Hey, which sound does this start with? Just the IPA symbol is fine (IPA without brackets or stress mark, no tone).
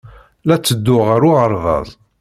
l